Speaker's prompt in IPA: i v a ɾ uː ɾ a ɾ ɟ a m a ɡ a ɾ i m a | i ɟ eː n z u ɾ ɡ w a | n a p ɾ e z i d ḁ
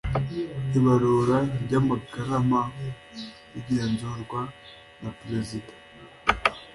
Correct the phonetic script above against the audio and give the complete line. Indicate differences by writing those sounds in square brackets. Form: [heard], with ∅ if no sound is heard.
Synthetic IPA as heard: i [β] a ɾ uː ɾ a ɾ ɟ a m a ɡ a ɾ [a] m a | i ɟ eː n z u ɾ ɡ w a | n a p ɾ e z i d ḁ